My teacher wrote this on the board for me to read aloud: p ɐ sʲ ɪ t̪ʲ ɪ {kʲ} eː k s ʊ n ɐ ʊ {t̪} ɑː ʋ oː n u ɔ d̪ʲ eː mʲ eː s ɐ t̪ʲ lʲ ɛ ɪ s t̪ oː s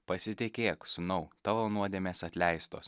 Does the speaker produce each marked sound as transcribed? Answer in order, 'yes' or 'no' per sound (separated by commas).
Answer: yes, yes